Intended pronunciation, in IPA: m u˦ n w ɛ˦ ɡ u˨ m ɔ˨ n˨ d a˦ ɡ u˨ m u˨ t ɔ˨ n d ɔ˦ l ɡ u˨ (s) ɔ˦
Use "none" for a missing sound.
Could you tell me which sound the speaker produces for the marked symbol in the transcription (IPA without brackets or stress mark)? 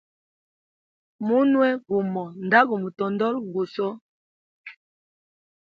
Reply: s